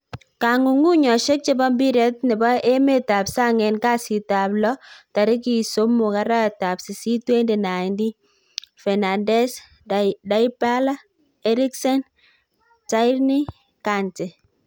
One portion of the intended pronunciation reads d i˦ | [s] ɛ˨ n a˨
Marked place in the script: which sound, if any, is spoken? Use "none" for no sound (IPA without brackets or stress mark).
f